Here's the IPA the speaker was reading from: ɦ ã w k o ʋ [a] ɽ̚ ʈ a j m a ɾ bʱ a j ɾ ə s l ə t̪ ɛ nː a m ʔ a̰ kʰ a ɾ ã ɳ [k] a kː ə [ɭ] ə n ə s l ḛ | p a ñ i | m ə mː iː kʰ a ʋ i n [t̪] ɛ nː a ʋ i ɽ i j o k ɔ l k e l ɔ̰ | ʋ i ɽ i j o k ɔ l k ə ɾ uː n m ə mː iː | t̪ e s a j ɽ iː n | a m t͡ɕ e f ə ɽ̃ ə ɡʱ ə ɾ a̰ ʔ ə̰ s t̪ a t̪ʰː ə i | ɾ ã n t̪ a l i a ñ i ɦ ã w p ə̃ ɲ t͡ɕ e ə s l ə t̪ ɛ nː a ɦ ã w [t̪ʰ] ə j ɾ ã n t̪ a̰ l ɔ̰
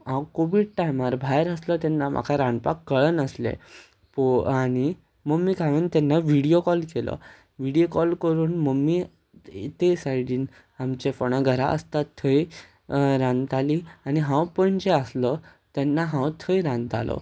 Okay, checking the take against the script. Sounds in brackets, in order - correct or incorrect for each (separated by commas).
incorrect, incorrect, correct, correct, correct